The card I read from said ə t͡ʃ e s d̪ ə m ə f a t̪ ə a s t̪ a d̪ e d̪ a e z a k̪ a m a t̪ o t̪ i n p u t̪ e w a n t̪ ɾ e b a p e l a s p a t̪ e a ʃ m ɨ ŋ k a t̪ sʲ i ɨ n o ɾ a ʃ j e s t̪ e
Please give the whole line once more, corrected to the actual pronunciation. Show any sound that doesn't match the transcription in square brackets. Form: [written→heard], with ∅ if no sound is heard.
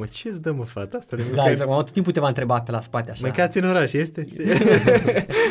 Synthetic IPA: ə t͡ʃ e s d̪ ə m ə f a t̪ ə a s t̪ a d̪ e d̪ a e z a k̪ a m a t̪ o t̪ i [n→m] p u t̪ e [w→v] a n t̪ ɾ e b a p e l a s p a t̪ e a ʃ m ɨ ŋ k a t̪ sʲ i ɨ n o ɾ a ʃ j e s t̪ e